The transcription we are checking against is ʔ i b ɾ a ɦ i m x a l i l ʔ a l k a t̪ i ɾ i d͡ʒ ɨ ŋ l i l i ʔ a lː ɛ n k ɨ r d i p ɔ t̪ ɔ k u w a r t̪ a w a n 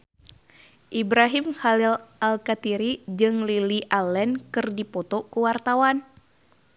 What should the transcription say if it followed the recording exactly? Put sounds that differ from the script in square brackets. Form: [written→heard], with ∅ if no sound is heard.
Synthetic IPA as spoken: ʔ i b ɾ a ɦ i m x a l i l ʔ a l k a t̪ i ɾ i d͡ʒ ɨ ŋ l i l i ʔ a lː ɛ n k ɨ r d i p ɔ t̪ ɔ k u w a r t̪ a w a n